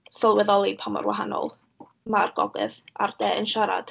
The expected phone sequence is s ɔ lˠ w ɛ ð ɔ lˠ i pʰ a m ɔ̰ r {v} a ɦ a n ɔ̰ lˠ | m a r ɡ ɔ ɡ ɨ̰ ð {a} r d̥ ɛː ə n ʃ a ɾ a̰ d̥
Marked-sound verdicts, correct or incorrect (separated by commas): incorrect, correct